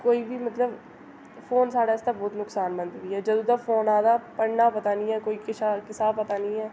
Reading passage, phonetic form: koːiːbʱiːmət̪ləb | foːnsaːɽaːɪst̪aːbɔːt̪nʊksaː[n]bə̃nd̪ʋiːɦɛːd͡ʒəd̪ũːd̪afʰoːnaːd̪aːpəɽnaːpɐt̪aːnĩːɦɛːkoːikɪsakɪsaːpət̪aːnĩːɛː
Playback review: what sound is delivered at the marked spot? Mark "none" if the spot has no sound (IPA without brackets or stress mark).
n